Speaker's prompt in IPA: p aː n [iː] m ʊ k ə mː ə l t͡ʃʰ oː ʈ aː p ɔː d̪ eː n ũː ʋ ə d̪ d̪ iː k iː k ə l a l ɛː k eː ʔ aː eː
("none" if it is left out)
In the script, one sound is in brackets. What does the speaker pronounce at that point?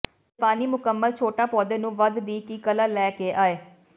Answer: iː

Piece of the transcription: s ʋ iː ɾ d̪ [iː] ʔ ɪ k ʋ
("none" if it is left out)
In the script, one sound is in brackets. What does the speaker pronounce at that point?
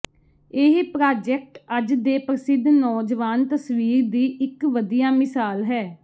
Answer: iː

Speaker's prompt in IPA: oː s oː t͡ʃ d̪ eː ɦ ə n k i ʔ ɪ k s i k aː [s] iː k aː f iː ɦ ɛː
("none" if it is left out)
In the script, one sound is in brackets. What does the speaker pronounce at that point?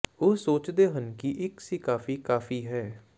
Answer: f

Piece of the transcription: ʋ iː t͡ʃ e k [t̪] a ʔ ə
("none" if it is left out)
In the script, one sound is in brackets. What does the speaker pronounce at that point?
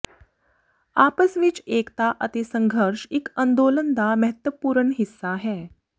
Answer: t̪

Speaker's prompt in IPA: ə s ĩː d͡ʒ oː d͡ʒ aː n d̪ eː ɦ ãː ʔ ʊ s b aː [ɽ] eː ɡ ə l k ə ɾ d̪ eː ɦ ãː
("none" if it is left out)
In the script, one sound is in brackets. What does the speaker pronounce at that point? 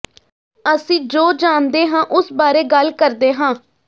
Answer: ɾ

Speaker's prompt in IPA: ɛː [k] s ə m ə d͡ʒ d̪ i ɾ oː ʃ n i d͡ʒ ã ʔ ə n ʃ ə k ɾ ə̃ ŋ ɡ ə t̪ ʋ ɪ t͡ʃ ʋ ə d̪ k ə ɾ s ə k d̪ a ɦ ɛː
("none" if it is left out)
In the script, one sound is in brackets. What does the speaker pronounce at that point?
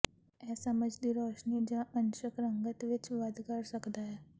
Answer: none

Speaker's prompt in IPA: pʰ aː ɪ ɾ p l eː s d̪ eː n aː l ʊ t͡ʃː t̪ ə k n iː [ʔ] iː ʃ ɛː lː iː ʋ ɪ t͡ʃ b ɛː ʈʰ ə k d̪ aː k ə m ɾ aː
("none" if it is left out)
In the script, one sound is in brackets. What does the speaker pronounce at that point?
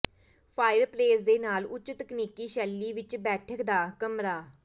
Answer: k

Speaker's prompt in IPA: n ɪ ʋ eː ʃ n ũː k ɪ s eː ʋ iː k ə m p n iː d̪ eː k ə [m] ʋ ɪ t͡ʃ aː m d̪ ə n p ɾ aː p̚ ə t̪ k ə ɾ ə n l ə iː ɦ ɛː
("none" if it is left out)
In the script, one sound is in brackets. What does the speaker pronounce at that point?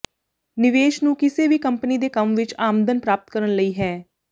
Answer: m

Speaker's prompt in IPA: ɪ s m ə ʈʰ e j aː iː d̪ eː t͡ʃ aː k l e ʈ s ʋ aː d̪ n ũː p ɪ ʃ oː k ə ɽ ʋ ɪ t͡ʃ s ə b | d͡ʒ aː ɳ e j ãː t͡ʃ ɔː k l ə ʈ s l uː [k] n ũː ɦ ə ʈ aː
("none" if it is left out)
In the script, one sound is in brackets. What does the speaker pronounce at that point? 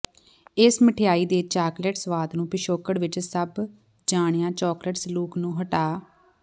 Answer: k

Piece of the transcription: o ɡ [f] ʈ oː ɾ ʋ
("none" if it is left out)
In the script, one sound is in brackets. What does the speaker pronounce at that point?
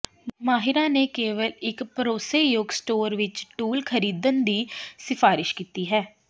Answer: s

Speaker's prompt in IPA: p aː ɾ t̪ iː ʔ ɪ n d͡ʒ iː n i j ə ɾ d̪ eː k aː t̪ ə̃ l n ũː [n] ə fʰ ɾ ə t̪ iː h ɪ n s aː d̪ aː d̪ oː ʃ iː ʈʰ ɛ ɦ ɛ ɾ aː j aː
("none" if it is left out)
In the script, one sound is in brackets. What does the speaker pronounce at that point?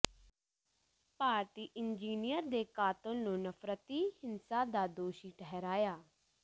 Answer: n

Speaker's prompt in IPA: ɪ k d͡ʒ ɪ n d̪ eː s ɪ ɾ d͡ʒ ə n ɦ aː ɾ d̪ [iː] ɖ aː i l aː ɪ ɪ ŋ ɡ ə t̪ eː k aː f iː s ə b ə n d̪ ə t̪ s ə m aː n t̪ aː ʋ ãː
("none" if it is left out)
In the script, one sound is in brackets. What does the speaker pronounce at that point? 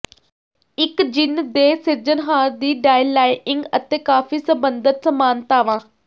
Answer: iː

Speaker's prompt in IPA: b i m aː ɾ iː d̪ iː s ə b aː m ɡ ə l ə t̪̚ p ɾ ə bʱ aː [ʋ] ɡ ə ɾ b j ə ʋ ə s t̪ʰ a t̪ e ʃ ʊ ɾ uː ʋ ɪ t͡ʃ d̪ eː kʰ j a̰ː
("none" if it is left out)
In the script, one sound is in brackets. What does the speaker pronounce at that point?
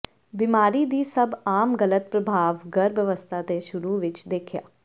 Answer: ʋ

